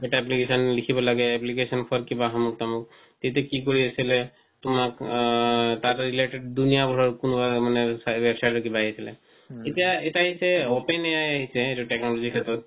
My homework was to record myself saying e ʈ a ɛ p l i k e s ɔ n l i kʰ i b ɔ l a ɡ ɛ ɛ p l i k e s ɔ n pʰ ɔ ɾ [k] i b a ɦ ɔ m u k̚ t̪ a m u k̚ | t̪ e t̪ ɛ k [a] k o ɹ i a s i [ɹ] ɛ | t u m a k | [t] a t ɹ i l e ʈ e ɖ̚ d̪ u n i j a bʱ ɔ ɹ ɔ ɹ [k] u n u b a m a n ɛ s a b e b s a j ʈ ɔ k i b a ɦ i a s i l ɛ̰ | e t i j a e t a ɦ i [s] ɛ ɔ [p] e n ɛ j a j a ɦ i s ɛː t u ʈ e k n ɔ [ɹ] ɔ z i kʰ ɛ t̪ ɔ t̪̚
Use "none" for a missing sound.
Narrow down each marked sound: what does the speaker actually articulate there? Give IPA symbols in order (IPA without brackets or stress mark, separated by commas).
k, i, l, t, k, s, p, l